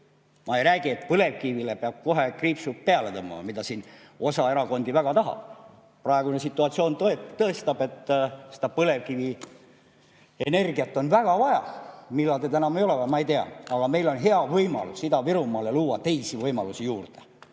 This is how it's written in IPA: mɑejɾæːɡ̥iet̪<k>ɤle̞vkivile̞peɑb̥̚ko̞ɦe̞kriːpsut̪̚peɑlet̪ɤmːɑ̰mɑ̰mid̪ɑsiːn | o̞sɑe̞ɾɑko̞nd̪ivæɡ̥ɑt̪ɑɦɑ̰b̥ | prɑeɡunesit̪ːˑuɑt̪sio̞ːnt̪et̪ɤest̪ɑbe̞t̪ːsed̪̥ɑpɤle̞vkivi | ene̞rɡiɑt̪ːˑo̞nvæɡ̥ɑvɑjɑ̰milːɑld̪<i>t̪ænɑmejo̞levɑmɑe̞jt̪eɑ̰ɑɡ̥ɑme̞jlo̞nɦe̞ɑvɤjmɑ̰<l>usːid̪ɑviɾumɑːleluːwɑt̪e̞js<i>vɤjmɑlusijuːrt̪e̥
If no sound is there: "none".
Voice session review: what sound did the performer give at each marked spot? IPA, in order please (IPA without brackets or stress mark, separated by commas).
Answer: p, e, l, i